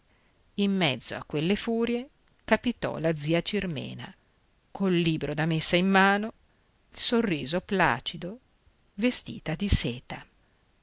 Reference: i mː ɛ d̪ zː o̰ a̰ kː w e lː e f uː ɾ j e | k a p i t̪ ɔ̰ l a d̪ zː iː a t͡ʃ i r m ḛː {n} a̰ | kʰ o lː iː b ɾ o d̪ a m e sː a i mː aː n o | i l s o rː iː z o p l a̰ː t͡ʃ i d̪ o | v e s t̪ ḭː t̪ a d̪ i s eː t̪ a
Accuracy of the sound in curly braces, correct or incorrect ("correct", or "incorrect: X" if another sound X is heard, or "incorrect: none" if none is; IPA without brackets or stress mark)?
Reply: correct